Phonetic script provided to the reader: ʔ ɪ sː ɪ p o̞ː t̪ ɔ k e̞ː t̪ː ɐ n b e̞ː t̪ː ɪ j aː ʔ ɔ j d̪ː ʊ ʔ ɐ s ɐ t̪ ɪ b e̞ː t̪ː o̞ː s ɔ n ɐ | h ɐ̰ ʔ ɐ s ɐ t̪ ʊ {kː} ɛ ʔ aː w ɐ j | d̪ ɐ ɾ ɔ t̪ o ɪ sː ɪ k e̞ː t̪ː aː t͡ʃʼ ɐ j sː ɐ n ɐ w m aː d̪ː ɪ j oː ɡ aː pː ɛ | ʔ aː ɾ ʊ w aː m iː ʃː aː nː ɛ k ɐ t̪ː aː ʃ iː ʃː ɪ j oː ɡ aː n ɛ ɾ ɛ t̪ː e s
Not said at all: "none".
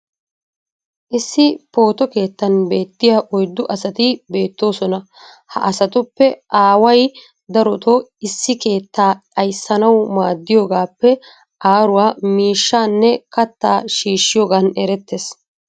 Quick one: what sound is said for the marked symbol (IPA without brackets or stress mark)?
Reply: pː